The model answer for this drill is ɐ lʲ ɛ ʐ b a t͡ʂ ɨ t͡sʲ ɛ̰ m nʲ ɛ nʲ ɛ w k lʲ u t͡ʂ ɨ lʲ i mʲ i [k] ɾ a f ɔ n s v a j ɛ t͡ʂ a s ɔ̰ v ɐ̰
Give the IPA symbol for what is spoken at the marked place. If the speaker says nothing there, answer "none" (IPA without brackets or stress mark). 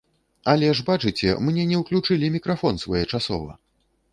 k